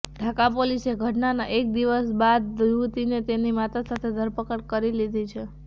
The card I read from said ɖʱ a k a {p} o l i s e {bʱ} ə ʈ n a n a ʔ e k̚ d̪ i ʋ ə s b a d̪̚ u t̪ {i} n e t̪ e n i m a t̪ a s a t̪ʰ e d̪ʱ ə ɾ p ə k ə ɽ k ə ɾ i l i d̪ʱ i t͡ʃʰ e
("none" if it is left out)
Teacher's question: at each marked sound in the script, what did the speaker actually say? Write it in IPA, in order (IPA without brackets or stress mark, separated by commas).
p, ɡʱ, i